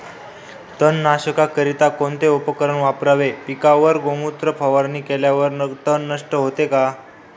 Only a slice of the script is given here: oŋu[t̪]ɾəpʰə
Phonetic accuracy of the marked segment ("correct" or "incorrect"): correct